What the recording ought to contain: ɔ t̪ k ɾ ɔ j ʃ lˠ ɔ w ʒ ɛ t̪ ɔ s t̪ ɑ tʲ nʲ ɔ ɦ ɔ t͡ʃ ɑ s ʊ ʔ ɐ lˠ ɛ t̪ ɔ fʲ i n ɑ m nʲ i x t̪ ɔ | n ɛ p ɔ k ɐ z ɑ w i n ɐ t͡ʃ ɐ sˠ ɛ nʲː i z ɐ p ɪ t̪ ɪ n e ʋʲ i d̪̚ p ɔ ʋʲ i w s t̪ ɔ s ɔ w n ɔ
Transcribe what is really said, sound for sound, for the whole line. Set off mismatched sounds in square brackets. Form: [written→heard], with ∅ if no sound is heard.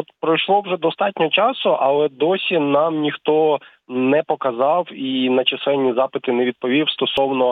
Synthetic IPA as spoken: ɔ t̪ [k→p] ɾ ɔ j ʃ lˠ ɔ w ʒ ɛ [t̪→d̪] ɔ s t̪ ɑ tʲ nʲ ɔ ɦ ɔ t͡ʃ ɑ s ʊ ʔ ɐ lˠ ɛ [t̪→d̪] ɔ [fʲ→sʲ] i n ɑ m nʲ i x t̪ ɔ | n ɛ p ɔ k ɐ z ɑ w i n ɐ t͡ʃ ɐ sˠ ɛ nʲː i z [ɐ→ɑ] p ɪ t̪ ɪ n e ʋʲ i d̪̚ p ɔ ʋʲ i w s t̪ ɔ s ɔ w n ɔ